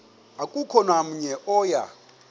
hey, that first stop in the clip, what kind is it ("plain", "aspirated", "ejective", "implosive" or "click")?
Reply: ejective